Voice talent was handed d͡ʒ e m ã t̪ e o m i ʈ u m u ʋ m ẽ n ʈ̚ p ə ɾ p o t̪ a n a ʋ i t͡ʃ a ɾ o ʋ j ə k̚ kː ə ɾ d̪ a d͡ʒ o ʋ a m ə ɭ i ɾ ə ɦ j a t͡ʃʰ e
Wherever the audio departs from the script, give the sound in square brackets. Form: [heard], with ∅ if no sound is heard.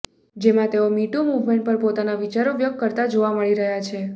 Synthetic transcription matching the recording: d͡ʒ e m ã t̪ e o m i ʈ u m u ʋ m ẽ [ɳ] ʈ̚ p ə ɾ p o t̪ a n a ʋ i t͡ʃ a ɾ o ʋ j ə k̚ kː ə ɾ [t̪] a d͡ʒ o ʋ a m ə ɭ i ɾ ə ɦ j a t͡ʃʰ e

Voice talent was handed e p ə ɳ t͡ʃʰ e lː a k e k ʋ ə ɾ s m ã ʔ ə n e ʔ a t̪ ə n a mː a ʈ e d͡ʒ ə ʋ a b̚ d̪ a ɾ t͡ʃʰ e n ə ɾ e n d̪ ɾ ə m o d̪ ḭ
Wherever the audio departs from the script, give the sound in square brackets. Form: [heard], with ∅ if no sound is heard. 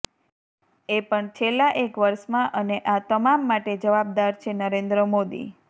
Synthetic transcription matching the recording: e p ə ɳ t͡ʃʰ e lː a [ʔ] e k ʋ ə ɾ [ʃ] m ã ʔ ə n e ʔ a t̪ ə [m] a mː a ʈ e d͡ʒ ə ʋ a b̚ d̪ a ɾ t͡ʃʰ e n ə ɾ e n d̪ ɾ ə m o d̪ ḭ

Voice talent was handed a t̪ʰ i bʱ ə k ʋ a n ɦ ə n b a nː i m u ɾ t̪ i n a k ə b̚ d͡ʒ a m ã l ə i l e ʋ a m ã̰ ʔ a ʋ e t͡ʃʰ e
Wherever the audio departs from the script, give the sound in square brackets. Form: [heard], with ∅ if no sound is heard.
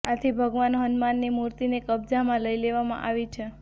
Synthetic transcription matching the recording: a t̪ʰ i bʱ ə [ɡ] ʋ a n ɦ ə n [m] a nː i m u ɾ t̪ i n [e] k ə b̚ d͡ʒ a m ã l ə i l e ʋ a m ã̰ ʔ a ʋ [i] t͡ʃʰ e

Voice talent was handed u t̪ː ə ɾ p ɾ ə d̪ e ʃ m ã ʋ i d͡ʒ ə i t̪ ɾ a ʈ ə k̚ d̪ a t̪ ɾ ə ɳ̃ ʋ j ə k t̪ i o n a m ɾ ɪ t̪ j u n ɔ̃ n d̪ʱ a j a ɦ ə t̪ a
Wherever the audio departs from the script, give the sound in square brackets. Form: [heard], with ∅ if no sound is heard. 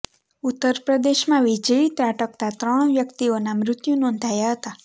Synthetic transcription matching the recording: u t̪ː ə ɾ p ɾ ə d̪ e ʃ m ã ʋ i d͡ʒ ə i t̪ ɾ a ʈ ə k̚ [t̪] a t̪ ɾ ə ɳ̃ ʋ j ə k t̪ i o n a m ɾ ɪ t̪ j u n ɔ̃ n d̪ʱ a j a ɦ ə t̪ a

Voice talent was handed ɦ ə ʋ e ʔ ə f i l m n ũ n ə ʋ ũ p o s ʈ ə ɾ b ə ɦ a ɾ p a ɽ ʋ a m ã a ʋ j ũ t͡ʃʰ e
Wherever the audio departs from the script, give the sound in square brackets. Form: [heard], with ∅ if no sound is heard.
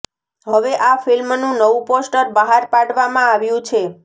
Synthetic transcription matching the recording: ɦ ə ʋ e ʔ [a] f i l m n ũ n ə ʋ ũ p o s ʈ ə ɾ b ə ɦ a ɾ p a ɽ ʋ a m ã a ʋ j ũ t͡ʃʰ e

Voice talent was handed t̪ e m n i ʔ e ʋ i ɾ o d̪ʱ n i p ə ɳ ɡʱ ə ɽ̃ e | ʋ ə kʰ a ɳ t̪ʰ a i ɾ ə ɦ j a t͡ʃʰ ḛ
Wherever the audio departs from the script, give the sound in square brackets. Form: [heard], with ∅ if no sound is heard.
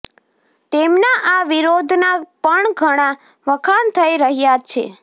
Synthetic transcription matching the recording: t̪ e m n [a] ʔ [a] ʋ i ɾ o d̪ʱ n [a] p ə ɳ ɡʱ ə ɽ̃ [a] | ʋ ə kʰ a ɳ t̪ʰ [ə] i ɾ ə ɦ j a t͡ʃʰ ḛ

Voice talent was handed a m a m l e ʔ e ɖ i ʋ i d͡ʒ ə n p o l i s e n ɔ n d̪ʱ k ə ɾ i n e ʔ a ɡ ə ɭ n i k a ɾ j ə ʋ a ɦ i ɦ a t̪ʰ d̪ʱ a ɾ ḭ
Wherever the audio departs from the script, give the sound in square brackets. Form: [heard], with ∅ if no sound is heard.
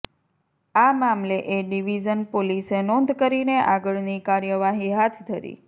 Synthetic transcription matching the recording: a m a m l e ʔ e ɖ i ʋ i d͡ʒ ə n p o l i s e n ɔ n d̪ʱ k ə ɾ i n e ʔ a ɡ ə ɭ n i k a ɾ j ə ʋ a ɦ i ɦ a t̪ʰ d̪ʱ [ə] ɾ ḭ

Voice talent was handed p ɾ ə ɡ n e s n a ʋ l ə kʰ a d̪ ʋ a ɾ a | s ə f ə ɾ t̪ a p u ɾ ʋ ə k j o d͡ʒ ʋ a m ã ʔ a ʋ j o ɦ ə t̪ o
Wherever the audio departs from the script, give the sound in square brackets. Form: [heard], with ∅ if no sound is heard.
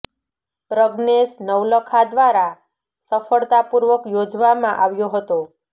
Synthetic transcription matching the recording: p ɾ ə ɡ n e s n [ə] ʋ l ə kʰ a d̪ ʋ a ɾ a | s ə f ə [ɭ] t̪ a p u ɾ ʋ ə k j o d͡ʒ ʋ a m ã ʔ a ʋ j o ɦ ə t̪ o

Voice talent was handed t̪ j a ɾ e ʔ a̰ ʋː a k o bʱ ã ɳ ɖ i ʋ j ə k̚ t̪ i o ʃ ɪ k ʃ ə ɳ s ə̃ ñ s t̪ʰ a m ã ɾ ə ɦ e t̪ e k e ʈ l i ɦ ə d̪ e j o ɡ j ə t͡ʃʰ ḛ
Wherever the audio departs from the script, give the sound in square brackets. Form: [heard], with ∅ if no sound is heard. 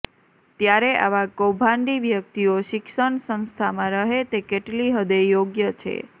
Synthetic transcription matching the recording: t̪ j a ɾ e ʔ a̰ [ʋ] a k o bʱ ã ɳ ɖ i ʋ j ə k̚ t̪ i o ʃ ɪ k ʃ ə ɳ s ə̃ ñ s t̪ʰ a m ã ɾ ə ɦ e t̪ e k e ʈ l i ɦ ə d̪ e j o ɡ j ə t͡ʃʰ ḛ

